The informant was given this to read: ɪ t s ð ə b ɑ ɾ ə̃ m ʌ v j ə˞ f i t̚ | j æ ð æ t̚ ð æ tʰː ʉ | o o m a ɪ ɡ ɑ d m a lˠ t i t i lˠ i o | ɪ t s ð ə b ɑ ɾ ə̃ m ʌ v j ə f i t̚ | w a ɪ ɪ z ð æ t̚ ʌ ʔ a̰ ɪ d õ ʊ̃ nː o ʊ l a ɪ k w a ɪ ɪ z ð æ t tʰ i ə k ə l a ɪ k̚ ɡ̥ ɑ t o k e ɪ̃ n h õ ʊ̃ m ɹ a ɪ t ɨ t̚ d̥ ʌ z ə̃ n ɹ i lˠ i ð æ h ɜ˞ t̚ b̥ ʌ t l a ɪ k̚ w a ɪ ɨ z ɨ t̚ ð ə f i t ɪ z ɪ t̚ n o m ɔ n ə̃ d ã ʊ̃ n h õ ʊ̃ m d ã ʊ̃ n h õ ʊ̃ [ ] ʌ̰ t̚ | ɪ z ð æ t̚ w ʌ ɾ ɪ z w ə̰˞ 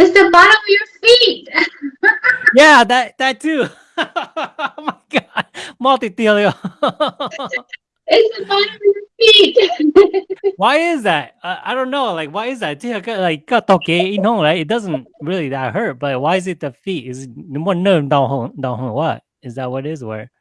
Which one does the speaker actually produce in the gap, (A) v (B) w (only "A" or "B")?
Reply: B